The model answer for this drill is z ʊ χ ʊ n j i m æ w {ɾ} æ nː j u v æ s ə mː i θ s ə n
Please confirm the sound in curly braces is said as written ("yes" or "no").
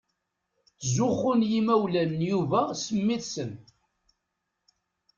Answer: no